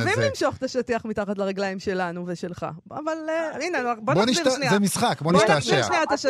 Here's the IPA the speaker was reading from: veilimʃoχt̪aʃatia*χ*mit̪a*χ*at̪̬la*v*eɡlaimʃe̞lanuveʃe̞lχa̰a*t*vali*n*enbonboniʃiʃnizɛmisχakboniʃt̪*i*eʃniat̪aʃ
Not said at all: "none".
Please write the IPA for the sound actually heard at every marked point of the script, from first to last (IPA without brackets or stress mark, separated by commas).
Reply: χ, χ, ʁ, none, n, a